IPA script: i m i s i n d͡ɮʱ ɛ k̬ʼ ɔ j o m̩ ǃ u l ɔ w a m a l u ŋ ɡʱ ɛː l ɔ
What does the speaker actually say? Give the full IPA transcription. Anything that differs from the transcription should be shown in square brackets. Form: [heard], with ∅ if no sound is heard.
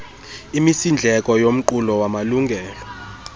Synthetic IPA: i m i s i n d͡ɮʱ ɛ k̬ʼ ɔ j o m̩ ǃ u l ɔ w a m a l u ŋ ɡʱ ɛː l ɔ